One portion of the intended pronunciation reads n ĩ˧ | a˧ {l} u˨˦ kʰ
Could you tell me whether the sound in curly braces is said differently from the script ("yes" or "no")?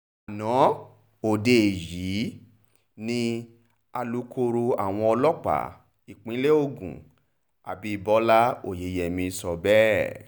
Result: no